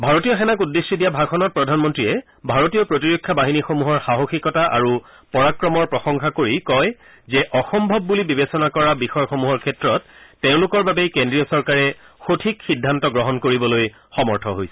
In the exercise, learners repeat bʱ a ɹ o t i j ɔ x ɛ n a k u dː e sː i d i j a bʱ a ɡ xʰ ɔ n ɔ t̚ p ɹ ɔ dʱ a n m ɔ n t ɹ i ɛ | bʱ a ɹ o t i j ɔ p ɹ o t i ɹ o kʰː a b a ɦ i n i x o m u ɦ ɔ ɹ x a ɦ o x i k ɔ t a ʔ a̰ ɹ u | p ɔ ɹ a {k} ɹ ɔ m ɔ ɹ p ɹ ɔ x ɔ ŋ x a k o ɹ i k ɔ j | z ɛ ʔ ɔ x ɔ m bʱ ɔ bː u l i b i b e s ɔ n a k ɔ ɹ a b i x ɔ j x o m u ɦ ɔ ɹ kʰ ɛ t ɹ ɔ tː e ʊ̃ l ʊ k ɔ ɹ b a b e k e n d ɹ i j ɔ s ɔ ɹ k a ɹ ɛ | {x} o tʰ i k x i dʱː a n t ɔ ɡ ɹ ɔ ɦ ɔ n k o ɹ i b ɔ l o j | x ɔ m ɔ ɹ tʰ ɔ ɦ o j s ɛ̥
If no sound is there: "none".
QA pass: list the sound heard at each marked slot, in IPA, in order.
k, x

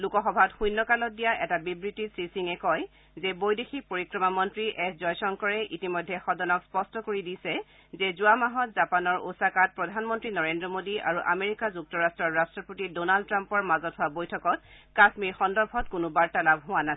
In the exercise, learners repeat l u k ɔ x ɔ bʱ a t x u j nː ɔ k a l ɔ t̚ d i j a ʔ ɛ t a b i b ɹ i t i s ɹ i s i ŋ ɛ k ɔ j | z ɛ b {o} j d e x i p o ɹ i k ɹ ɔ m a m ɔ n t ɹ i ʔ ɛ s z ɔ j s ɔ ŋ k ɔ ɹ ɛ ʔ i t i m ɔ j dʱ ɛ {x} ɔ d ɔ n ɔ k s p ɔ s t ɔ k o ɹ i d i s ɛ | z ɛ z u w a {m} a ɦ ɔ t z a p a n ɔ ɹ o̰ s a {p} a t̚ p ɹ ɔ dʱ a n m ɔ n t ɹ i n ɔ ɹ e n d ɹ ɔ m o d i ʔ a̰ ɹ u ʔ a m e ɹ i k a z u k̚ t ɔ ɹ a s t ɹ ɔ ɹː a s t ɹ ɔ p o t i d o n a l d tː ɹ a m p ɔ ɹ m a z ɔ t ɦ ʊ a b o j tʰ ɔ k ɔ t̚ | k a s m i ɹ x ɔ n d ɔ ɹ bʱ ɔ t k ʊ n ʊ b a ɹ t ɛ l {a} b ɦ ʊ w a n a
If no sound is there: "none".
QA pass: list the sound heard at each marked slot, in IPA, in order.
o, x, m, k, a

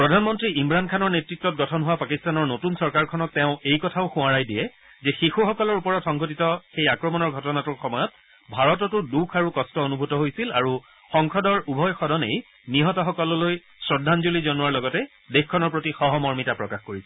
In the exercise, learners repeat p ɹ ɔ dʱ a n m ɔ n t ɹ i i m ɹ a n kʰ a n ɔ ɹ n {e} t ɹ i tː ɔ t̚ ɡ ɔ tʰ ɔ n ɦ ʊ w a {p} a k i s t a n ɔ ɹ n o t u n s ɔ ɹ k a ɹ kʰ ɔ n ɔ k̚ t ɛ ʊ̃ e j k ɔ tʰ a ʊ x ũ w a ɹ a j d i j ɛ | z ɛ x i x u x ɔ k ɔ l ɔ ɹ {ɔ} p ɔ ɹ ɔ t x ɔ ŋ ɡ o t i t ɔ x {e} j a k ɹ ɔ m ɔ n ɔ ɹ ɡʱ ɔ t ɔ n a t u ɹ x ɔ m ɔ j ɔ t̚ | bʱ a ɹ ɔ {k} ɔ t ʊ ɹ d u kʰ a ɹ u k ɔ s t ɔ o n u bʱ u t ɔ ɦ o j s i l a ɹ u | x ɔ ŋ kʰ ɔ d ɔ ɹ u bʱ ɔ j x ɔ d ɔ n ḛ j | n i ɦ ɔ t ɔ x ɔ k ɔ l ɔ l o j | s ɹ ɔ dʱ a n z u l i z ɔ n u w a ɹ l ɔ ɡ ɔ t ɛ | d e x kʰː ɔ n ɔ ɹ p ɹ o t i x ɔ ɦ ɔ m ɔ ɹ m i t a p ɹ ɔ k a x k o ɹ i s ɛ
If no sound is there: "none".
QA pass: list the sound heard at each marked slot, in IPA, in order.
e, p, u, e, t

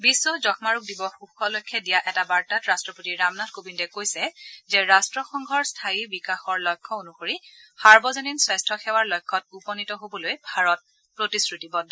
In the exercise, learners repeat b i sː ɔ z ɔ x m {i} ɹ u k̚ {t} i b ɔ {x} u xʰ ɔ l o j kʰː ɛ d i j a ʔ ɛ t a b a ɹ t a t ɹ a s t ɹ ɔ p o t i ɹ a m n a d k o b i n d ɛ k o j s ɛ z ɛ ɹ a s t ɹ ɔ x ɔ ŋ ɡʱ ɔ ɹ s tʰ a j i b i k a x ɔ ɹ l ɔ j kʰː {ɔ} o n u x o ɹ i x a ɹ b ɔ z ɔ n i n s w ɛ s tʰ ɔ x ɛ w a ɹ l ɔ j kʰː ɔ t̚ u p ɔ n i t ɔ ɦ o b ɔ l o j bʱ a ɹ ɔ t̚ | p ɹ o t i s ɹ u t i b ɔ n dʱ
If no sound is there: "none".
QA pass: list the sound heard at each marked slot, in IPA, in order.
a, d, x, ɔ

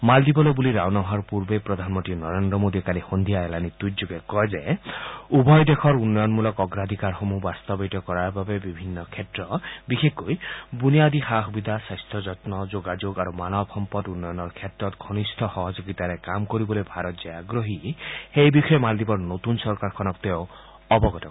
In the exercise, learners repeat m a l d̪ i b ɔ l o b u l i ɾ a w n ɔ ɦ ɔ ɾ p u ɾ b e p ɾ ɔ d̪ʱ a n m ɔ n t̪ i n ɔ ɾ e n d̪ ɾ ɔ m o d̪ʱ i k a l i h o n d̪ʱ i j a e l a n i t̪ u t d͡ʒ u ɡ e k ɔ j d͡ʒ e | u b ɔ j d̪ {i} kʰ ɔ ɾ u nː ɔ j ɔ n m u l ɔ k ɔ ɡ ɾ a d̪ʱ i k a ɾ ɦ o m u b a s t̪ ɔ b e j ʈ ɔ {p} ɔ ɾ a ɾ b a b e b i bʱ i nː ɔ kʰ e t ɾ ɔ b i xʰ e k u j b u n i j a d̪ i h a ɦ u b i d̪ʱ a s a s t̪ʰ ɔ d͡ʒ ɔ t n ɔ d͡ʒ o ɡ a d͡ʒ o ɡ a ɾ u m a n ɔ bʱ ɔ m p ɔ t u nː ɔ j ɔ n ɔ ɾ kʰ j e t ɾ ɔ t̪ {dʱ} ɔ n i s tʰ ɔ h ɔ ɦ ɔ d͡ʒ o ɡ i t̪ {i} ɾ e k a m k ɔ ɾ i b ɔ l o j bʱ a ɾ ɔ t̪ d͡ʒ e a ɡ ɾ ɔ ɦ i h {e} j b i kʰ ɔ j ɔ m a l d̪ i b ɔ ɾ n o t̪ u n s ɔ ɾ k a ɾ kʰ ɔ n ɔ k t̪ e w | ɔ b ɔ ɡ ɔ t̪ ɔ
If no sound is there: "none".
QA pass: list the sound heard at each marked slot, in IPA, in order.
e, k, ɡʱ, a, e

